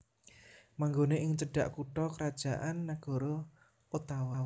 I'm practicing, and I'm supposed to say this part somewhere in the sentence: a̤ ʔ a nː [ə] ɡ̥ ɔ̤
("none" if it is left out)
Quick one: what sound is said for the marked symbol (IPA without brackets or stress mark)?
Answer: a